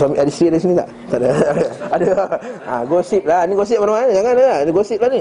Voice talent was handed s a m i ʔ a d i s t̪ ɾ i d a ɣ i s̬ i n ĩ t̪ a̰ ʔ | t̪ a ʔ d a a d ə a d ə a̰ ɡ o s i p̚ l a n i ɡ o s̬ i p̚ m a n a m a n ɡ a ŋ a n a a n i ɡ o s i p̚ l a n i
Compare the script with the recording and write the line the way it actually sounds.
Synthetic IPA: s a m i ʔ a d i s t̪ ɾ i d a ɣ i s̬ i n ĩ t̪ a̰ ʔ | t̪ a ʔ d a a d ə a d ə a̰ ɡ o s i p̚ l a n i ɡ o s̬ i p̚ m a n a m a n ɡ a ŋ a n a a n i ɡ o s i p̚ l a n i